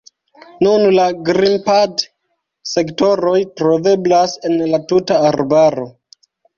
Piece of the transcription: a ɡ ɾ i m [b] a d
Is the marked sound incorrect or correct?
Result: incorrect: p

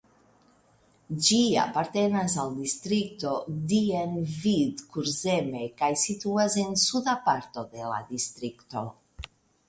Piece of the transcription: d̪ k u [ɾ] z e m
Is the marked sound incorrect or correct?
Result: correct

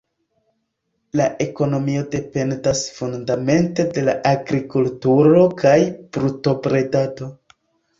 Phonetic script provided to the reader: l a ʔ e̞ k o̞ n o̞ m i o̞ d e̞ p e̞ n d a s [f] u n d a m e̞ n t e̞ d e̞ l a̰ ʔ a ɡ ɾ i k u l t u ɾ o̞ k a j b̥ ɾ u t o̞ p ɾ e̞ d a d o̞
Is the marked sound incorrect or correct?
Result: correct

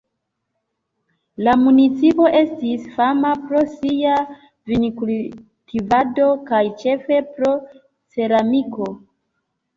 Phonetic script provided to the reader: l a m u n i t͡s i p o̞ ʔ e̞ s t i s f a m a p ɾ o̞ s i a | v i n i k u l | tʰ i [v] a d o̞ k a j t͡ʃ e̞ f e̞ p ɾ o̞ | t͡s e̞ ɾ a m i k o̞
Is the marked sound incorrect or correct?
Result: correct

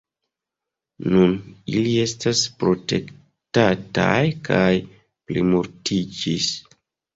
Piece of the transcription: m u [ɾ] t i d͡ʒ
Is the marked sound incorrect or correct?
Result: correct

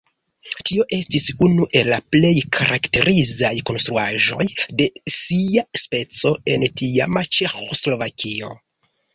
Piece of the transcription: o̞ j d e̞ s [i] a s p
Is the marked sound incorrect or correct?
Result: correct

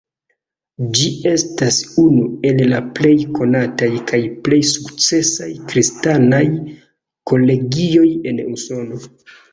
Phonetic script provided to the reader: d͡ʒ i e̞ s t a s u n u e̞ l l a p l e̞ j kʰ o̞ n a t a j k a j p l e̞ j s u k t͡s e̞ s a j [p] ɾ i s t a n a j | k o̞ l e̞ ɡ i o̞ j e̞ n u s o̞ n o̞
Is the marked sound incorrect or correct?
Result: incorrect: k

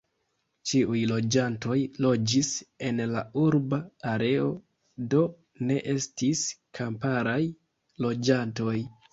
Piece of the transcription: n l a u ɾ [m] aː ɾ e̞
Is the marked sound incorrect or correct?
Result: incorrect: b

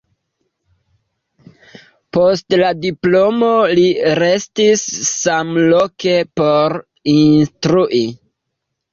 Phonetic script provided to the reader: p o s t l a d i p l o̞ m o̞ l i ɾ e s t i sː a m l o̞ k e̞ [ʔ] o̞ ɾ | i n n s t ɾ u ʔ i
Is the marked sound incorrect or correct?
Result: incorrect: p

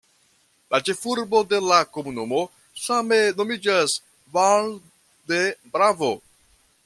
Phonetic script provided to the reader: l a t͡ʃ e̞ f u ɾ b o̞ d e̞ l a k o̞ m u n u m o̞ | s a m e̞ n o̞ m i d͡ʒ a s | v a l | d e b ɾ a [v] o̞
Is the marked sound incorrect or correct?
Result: correct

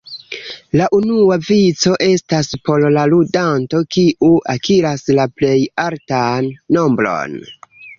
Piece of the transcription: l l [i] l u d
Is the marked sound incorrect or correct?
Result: incorrect: a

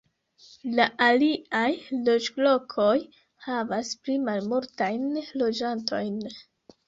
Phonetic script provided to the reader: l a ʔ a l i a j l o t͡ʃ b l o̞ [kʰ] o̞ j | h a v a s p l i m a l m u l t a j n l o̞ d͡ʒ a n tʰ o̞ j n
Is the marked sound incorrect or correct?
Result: correct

